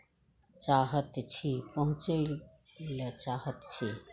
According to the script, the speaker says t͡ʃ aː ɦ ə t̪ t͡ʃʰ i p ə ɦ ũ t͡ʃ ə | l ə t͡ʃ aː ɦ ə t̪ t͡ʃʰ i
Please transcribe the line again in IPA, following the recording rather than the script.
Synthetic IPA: t͡ʃ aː ɦ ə t̪ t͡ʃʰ i p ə ɦ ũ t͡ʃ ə | l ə t͡ʃ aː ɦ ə t̪ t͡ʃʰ i